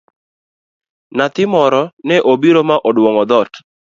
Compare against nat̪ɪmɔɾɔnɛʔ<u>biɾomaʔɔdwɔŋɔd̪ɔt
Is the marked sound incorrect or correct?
incorrect: o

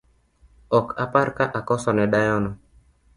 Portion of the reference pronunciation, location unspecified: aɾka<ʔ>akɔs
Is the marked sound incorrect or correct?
correct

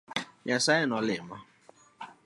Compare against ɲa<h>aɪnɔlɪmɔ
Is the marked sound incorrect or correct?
incorrect: s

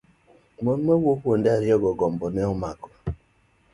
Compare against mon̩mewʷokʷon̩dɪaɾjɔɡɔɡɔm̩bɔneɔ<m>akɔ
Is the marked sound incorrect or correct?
correct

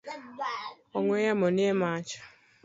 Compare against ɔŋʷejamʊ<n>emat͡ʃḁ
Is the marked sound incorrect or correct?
correct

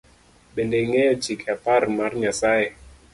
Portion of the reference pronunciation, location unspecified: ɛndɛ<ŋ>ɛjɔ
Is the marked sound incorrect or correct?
correct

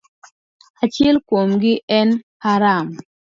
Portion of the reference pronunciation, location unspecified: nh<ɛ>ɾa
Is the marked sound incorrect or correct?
incorrect: a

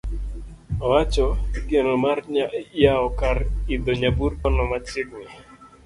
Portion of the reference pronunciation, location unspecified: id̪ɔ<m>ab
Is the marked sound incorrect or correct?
incorrect: ɲ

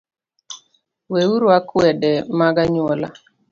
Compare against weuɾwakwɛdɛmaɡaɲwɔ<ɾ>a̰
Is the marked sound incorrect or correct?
incorrect: l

